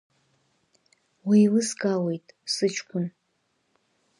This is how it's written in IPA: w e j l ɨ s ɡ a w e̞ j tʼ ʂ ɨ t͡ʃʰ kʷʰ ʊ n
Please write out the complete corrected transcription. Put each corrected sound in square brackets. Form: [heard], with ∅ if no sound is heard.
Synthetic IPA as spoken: w [i] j l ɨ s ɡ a w e̞ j tʼ [s] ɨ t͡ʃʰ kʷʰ ʊ n